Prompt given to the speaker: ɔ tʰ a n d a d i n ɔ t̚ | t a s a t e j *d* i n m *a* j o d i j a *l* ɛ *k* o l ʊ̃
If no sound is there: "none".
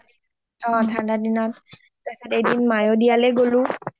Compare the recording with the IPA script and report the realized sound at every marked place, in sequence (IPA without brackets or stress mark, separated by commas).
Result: d, a, l, ɡ